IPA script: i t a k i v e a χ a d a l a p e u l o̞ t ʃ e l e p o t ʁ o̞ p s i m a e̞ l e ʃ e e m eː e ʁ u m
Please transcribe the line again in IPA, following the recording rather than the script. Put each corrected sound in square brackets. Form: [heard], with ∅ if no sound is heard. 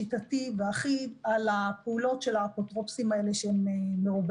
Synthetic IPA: i t a [t] i v e a χ [i] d a l a p e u l o̞ t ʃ e l [a] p o t ʁ o̞ p s i m a e̞ l e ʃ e e m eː e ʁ u [b]